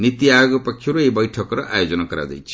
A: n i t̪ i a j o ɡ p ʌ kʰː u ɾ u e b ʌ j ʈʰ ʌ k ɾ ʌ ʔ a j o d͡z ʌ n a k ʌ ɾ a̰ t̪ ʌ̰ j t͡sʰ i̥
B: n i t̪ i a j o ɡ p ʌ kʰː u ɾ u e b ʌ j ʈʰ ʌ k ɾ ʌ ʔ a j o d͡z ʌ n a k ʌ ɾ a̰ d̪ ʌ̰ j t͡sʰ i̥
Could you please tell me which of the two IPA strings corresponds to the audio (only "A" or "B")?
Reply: B